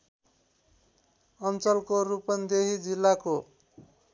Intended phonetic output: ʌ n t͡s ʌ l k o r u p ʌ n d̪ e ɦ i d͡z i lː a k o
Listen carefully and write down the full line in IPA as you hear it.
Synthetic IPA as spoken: ʌ n t͡s ʌ l k o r u p ʌ n d̪ e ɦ i d͡z i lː a k o